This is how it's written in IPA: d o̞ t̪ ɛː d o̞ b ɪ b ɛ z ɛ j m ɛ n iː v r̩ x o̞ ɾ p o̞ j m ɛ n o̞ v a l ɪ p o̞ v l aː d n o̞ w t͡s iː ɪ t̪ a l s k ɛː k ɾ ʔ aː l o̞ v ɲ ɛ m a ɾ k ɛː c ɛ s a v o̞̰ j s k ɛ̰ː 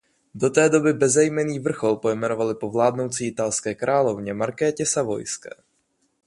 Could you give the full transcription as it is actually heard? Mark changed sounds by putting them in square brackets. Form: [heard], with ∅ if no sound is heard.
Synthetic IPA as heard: d o̞ t̪ ɛː d o̞ b ɪ b ɛ z ɛ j m ɛ n iː v r̩ x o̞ [l] p o̞ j m ɛ n o̞ v a l ɪ p o̞ v l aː d n o̞ w t͡s iː ɪ t̪ a l s k ɛː k ɾ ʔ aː l o̞ v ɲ ɛ m a ɾ k ɛː c ɛ s a v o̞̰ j s k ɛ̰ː